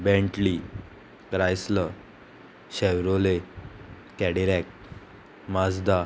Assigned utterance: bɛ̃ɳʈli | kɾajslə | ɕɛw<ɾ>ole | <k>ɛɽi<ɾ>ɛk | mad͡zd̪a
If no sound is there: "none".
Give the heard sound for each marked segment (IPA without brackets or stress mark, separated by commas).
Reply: ɾ, k, ɾ